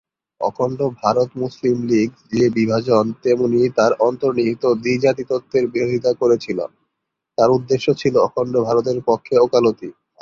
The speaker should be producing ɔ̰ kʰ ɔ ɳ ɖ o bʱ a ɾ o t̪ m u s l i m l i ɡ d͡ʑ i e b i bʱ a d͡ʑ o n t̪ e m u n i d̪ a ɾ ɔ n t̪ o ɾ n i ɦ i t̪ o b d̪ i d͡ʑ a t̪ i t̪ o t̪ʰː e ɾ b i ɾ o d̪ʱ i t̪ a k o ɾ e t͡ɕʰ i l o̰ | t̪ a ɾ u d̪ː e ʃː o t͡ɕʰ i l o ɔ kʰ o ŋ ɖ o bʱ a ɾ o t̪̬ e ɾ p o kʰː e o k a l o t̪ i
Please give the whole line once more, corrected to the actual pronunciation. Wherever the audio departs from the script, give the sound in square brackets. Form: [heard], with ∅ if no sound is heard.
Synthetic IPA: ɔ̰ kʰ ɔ ɳ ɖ o bʱ a ɾ o t̪ m u s l i m l i ɡ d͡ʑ i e b i bʱ a d͡ʑ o n t̪ e m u n i [t̪] a ɾ ɔ n t̪ o ɾ n i ɦ i t̪ o [∅] d̪ i d͡ʑ a t̪ i t̪ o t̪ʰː e ɾ b i ɾ o d̪ʱ i t̪ a k o ɾ e t͡ɕʰ i l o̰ | t̪ a ɾ u d̪ː e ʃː o t͡ɕʰ i l o ɔ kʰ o [ɳ] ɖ o bʱ a ɾ o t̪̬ e ɾ p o kʰː e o k a l o t̪ i